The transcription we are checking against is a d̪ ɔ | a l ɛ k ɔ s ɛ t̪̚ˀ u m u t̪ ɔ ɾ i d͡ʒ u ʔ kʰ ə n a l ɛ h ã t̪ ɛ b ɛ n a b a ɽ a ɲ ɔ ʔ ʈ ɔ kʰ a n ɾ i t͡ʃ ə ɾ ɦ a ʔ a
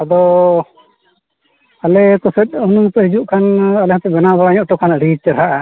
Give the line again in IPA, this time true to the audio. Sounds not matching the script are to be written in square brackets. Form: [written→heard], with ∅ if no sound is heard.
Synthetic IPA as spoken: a d̪ ɔ | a l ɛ k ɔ s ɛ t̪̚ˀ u [m→n] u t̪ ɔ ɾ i d͡ʒ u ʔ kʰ [ə→a] n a l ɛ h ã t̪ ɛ b ɛ n a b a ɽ a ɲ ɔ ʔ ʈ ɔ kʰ a n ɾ i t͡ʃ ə ɾ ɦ a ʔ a